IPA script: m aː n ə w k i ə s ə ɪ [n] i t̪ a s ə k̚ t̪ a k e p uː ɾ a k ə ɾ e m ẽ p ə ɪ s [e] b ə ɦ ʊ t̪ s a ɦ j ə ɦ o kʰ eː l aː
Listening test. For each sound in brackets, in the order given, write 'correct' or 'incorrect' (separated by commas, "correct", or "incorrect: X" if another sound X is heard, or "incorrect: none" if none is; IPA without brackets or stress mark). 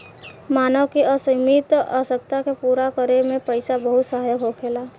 incorrect: m, incorrect: a